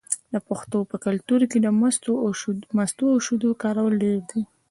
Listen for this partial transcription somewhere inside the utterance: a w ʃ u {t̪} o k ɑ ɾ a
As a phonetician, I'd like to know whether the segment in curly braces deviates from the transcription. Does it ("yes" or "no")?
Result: yes